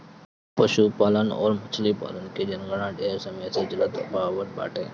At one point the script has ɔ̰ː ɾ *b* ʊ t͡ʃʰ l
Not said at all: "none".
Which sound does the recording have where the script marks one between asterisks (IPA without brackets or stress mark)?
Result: m